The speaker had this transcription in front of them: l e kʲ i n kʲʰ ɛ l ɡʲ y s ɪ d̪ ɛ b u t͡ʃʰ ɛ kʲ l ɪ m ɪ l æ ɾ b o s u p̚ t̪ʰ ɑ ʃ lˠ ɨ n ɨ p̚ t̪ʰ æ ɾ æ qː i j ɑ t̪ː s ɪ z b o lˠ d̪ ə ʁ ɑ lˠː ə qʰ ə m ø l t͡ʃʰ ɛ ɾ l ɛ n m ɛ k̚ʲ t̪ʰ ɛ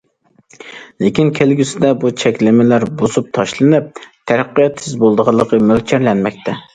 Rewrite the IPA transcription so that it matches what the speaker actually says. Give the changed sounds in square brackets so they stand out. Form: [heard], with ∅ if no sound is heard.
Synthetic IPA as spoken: l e kʲ i n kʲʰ [e] l ɡʲ y s ɪ d̪ ɛ b u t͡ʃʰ ɛ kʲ l ɪ m ɪ l æ ɾ b o s u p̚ t̪ʰ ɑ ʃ lˠ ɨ n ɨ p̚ t̪ʰ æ ɾ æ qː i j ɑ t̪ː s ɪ z b o lˠ d̪ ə ʁ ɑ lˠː ə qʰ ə m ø l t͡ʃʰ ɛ ɾ l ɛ n m ɛ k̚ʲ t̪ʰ ɛ